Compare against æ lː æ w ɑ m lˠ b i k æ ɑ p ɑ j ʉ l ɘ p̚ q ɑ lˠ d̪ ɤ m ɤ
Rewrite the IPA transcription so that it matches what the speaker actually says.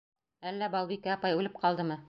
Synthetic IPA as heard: æ lː æ b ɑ lˠ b i k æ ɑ p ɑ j ʉ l ɘ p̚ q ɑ lˠ d̪ ɤ m ɤ